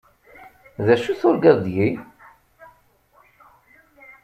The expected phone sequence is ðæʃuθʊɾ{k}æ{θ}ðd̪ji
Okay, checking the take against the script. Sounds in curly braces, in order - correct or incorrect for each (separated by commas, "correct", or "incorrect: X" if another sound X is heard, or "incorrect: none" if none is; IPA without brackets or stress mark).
incorrect: ɡ, incorrect: none